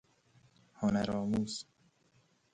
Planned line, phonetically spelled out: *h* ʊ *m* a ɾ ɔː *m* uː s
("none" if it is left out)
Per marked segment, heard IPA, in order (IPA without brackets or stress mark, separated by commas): h, n, m